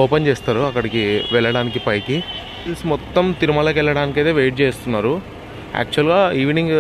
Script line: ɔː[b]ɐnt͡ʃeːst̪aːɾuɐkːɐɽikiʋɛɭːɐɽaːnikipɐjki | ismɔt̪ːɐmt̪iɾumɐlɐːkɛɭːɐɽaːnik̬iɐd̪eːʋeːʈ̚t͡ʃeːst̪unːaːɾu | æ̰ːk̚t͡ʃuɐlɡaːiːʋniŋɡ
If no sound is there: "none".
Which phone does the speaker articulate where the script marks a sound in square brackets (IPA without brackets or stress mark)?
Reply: p